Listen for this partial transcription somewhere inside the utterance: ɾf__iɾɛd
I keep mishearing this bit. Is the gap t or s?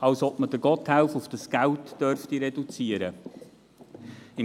t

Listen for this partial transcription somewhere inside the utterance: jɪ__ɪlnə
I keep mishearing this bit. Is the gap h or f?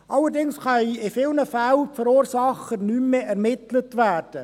f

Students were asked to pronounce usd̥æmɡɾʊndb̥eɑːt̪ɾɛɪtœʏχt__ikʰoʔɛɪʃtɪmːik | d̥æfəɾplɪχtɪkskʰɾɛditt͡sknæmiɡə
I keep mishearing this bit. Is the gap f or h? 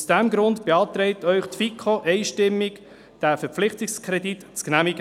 f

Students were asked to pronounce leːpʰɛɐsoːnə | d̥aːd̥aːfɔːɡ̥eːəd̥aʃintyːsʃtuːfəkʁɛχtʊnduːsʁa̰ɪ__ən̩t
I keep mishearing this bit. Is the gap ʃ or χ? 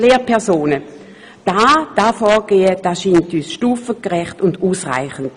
χ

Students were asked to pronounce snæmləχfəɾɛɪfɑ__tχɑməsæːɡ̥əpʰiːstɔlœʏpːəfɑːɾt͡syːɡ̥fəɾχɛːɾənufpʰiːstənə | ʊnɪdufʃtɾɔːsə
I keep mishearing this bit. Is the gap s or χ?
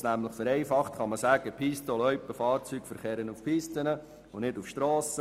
χ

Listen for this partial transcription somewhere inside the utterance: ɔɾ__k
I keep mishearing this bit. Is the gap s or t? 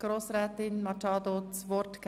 t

